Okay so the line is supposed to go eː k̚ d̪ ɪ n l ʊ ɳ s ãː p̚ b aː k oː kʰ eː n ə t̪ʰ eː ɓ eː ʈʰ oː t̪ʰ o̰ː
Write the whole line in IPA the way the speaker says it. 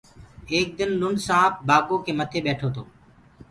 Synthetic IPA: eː k̚ d̪ ɪ n l ʊ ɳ s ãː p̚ b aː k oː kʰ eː m ə t̪ʰ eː ɓ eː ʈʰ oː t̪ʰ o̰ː